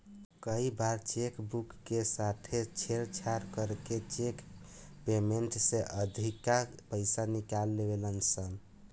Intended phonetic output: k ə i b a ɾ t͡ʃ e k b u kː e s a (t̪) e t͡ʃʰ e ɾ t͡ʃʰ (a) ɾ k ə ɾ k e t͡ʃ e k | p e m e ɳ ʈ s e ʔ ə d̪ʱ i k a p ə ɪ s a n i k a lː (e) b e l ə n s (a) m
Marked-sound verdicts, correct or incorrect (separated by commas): incorrect, correct, correct, incorrect